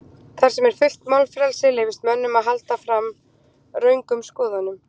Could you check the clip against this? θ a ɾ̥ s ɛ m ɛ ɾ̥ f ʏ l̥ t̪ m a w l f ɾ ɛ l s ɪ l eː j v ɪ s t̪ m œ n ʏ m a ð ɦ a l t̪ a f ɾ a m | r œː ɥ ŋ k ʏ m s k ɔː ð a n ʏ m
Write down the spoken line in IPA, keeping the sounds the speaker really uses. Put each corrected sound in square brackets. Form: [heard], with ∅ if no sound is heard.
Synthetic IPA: θ a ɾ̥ s ɛ m ɛ ɾ̥ f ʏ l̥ t̪ m a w l f ɾ ɛ l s ɪ l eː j v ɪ s t̪ m œ [nː] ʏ m a ð ɦ a l t̪ a f ɾ a m | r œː ɥ ŋ k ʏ m s k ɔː ð a n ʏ m